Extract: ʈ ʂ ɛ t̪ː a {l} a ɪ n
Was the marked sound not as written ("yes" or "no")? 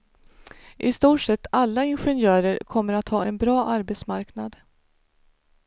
yes